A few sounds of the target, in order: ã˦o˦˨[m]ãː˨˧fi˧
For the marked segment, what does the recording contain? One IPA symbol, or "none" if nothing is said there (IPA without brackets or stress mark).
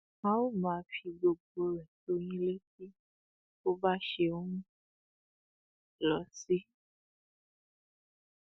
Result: m